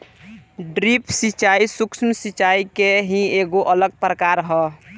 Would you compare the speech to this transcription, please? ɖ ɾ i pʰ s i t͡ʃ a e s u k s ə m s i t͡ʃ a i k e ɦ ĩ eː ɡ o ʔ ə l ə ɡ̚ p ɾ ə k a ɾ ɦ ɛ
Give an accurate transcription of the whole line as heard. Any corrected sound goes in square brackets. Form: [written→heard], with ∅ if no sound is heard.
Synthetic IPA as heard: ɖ ɾ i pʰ s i t͡ʃ a [e→i] s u k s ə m s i t͡ʃ a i k e ɦ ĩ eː ɡ o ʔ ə l ə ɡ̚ p ɾ ə k a ɾ ɦ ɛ